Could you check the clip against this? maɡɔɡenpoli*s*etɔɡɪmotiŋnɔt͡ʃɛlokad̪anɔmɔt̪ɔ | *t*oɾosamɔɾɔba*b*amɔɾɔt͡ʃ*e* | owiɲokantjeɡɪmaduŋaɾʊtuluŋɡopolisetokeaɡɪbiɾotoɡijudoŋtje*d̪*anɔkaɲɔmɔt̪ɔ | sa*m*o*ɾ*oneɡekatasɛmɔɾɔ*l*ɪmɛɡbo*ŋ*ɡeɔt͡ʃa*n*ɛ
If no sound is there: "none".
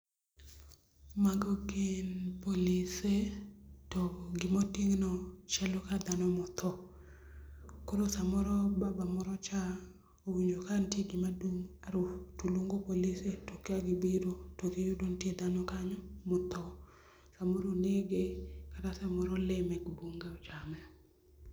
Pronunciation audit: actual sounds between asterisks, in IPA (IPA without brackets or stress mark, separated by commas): s, k, b, a, d̪, m, ɾ, l, ŋ, m